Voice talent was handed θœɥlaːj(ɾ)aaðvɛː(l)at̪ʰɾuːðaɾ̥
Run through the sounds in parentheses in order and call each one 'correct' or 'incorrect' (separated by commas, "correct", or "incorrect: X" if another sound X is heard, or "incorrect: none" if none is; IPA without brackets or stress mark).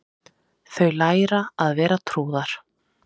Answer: correct, incorrect: ɾ